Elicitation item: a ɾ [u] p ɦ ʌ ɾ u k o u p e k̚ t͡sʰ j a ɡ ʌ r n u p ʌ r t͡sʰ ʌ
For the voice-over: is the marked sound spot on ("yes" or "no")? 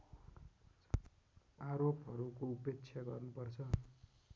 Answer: no